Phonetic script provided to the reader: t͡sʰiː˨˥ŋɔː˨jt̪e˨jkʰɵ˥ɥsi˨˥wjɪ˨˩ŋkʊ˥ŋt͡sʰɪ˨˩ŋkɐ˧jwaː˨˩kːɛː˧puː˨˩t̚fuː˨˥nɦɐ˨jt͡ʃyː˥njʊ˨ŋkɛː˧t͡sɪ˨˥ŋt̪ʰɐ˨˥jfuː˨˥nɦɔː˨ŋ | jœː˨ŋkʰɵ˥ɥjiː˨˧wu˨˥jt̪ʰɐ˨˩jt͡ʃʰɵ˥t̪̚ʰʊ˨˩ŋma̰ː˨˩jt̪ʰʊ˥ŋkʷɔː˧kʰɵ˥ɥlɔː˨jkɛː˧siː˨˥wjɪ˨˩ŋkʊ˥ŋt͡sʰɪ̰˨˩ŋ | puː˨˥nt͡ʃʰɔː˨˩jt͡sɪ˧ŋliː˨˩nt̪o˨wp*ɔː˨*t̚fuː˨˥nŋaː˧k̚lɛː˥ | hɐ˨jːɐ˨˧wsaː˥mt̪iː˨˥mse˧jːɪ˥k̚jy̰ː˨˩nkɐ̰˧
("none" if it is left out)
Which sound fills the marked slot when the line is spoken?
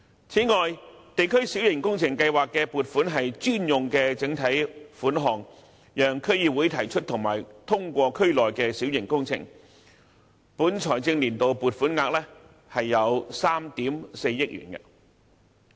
uː˨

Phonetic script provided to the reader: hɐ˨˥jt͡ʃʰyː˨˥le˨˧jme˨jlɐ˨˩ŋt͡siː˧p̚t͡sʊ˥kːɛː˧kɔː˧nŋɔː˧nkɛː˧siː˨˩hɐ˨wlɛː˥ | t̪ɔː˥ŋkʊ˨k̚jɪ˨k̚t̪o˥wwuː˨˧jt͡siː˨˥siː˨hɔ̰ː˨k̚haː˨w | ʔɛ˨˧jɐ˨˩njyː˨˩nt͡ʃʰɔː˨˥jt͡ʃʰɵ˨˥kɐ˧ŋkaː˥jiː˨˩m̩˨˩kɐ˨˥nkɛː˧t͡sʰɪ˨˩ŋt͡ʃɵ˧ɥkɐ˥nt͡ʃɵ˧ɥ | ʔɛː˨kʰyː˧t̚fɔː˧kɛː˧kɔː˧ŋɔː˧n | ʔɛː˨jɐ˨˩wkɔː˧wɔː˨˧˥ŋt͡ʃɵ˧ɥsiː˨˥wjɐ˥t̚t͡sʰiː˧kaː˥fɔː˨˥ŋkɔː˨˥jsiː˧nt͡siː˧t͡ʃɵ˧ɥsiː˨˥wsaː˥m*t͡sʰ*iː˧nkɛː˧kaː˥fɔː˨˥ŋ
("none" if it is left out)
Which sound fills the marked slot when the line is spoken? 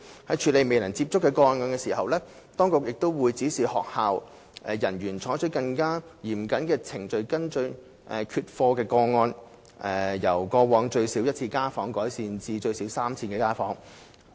t͡sʰ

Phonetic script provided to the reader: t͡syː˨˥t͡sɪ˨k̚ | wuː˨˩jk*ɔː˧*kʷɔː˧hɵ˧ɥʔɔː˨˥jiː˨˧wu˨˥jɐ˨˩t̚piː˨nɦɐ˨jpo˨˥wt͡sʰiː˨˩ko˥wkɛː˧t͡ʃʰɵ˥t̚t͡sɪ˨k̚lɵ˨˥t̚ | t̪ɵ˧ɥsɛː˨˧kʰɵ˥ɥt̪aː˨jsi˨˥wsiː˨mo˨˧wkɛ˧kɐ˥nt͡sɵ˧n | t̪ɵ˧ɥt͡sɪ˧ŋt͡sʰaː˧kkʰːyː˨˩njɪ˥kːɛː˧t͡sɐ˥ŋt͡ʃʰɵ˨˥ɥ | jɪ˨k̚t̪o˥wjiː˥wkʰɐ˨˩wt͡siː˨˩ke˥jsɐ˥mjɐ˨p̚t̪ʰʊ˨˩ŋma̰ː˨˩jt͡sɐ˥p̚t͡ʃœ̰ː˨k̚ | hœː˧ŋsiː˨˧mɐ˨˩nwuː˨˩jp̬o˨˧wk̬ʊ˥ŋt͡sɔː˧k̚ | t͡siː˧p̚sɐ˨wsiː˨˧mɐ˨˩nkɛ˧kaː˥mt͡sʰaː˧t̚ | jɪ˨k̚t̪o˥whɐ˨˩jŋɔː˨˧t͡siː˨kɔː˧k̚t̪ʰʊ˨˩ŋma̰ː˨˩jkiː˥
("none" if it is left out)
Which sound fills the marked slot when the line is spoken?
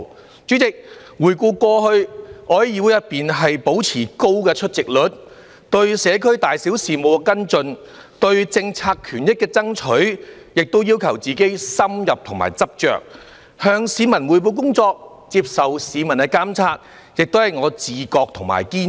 uː˧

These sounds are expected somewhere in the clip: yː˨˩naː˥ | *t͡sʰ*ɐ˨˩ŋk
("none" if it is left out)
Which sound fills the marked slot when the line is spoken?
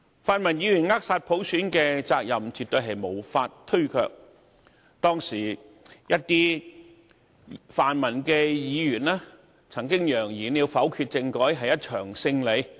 t͡sʰ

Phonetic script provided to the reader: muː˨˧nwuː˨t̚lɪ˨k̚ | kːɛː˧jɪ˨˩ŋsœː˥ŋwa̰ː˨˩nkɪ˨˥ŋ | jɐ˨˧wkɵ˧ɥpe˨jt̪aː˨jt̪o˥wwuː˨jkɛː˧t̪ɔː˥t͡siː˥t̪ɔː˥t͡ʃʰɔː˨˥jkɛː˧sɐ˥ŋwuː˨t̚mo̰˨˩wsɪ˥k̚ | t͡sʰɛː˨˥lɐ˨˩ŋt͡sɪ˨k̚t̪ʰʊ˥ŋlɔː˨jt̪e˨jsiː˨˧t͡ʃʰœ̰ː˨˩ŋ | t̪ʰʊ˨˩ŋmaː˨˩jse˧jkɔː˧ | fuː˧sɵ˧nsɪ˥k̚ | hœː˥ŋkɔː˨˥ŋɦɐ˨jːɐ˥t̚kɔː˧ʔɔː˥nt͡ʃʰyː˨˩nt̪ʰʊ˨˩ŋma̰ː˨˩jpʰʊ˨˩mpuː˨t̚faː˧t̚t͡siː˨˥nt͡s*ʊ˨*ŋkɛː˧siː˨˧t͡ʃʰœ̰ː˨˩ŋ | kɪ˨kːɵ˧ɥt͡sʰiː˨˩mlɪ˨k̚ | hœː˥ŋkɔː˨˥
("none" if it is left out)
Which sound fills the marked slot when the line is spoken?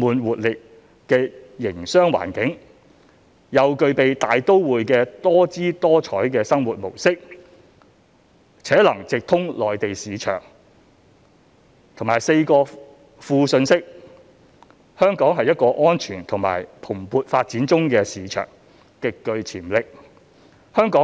ʊ˥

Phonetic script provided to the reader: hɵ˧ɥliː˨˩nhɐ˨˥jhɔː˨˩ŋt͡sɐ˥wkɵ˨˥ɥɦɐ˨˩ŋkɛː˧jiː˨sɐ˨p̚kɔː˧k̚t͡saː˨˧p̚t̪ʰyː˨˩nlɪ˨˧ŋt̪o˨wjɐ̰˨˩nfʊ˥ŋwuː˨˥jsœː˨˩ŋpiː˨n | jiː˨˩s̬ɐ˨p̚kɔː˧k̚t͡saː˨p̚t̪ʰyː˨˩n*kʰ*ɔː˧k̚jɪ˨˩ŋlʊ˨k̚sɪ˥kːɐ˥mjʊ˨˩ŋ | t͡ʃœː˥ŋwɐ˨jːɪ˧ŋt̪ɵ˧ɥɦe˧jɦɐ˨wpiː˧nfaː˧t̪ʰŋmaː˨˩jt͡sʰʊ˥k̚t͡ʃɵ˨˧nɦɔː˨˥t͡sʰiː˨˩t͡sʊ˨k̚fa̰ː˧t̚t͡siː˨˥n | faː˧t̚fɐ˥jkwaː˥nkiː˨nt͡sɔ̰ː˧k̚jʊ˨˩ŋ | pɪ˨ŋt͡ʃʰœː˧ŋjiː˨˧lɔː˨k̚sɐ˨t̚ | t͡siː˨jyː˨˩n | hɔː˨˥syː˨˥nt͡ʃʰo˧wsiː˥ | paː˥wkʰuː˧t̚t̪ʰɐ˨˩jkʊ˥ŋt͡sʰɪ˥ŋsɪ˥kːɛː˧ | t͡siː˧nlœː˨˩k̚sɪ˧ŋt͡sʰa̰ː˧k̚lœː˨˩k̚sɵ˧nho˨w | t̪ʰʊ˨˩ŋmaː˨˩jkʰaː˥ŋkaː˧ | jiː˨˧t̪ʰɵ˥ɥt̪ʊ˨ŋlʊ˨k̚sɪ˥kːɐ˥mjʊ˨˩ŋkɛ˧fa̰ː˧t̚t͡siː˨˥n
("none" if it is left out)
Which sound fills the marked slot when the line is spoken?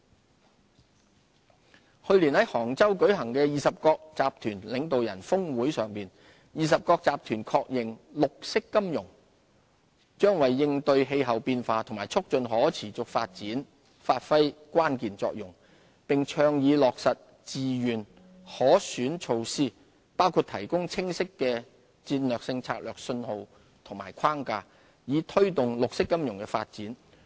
kʰ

